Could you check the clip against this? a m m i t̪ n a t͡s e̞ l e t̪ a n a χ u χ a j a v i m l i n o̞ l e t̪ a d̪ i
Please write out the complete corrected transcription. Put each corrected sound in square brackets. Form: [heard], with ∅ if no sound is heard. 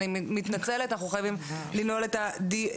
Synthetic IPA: [i] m m i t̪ n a t͡s e̞ l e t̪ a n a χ u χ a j a v i m l i n o̞ l e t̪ a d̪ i